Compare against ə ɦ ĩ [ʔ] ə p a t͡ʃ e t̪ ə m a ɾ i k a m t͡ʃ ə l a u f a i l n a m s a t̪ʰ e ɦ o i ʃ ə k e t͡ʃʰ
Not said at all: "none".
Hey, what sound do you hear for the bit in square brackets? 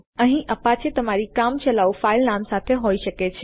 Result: ʔ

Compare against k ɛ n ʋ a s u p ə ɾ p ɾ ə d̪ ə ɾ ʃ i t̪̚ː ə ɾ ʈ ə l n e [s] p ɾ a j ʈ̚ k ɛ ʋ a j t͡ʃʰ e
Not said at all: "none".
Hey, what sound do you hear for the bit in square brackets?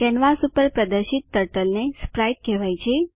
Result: s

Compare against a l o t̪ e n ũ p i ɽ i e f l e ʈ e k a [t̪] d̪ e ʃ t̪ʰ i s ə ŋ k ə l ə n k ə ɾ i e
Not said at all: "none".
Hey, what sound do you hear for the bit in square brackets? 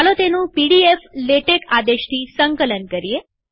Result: none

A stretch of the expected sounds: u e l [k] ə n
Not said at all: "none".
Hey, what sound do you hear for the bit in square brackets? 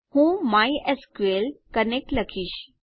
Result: k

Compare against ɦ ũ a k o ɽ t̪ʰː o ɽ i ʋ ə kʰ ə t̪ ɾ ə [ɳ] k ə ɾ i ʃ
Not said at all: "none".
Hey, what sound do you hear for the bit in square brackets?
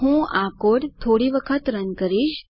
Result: n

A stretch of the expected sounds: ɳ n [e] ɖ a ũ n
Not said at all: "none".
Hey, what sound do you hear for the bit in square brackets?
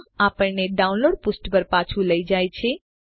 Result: e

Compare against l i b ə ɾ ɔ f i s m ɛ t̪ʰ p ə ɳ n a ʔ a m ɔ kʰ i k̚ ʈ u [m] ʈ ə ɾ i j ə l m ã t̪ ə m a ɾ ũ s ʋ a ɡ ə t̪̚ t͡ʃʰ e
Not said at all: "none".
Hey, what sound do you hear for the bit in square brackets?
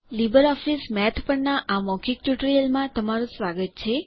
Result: none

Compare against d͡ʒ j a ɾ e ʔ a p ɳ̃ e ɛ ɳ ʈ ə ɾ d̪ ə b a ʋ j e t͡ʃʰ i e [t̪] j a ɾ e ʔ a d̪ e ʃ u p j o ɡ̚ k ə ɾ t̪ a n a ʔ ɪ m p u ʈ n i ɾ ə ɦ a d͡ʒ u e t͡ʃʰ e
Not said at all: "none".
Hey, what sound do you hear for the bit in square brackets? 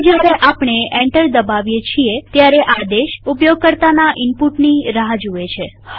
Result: t̪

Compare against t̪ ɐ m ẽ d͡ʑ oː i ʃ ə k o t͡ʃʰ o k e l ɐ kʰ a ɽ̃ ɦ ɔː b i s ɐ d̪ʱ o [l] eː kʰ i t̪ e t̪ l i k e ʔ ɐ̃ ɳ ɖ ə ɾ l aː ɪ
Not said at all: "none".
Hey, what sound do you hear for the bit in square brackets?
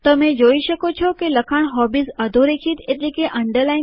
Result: ɾ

